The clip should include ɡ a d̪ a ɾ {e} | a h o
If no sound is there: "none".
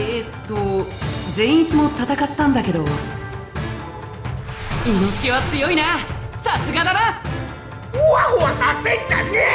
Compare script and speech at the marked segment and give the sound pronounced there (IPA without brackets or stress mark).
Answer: a